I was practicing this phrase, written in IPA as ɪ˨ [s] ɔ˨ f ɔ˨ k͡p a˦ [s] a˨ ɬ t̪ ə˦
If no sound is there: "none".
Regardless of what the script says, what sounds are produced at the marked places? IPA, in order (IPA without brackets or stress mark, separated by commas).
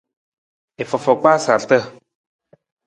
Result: f, s